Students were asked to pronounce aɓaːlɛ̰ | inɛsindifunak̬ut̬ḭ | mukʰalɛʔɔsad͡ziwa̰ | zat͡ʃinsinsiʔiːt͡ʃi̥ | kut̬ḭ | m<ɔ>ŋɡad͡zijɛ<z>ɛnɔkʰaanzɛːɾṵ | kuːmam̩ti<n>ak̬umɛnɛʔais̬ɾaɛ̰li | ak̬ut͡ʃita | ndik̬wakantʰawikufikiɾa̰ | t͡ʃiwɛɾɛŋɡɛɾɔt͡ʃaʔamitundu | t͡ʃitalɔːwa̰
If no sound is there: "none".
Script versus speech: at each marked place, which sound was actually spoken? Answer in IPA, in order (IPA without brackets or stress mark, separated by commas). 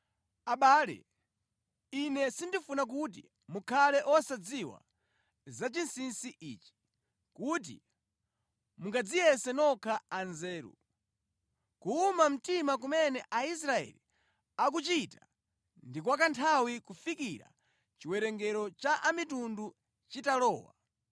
u, s, m